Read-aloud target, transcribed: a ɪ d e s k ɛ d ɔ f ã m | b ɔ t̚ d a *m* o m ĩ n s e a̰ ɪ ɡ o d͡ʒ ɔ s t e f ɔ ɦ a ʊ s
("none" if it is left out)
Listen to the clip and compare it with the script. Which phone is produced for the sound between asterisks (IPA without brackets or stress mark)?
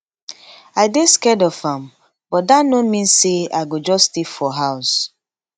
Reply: n